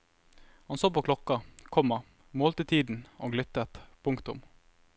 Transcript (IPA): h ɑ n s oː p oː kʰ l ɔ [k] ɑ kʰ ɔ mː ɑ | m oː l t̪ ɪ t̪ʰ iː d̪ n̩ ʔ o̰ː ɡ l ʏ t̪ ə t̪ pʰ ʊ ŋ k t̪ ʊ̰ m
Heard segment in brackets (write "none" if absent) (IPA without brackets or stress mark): k